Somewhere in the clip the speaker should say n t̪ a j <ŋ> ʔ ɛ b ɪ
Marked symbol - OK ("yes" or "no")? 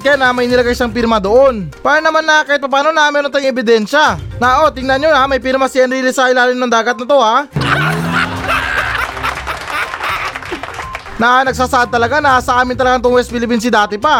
yes